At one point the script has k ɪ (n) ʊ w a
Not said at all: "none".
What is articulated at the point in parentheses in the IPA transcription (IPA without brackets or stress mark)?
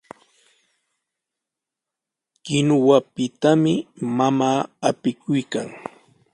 n